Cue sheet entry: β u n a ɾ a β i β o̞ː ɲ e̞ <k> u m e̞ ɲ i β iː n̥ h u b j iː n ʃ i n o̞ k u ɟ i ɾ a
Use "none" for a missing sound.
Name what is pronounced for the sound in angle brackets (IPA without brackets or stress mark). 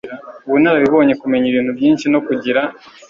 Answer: k